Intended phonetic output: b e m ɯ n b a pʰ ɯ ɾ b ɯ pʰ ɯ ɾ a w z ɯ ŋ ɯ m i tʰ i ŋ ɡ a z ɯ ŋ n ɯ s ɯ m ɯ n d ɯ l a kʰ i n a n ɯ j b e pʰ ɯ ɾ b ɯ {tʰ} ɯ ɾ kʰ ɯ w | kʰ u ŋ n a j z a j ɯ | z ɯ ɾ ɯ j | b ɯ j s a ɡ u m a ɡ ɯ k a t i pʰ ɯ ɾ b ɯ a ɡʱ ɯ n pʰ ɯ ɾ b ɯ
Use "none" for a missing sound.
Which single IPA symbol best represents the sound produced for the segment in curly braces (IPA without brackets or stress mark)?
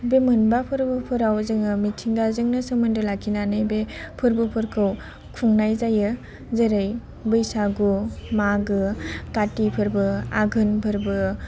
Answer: pʰ